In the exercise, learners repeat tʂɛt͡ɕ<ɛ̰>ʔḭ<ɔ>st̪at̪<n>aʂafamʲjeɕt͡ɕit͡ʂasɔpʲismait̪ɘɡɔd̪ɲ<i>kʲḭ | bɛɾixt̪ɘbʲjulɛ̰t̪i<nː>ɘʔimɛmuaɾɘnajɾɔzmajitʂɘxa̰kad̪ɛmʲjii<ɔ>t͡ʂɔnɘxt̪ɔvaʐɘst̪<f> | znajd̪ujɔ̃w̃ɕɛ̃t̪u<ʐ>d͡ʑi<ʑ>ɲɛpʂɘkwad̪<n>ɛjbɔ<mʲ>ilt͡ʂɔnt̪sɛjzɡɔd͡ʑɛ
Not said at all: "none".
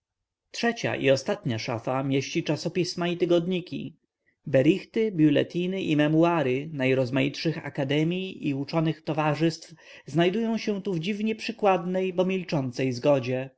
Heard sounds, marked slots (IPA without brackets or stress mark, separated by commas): a̰, ɔ, ɲ, i, n, u, f, v, v, n, mʲ